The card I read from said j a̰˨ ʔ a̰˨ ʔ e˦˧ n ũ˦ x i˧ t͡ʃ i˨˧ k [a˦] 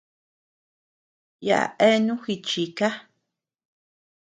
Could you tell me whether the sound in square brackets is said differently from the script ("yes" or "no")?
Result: no